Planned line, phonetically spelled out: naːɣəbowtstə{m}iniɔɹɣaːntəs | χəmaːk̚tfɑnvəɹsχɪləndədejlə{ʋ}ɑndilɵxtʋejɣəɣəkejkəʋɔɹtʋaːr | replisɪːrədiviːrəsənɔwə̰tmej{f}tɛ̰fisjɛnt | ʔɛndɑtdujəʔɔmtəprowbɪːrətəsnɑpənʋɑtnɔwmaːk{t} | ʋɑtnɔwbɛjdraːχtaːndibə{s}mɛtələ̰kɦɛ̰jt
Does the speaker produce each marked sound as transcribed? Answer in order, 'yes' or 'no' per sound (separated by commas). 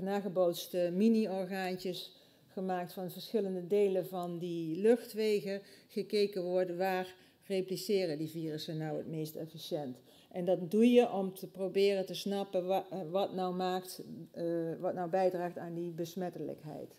yes, no, no, yes, yes